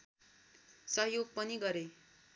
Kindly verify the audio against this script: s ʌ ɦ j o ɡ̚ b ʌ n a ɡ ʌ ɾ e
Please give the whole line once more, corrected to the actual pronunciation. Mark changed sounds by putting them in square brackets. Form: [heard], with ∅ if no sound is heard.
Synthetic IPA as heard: s ʌ ɦ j o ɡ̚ [p] ʌ n [i] ɡ ʌ ɾ e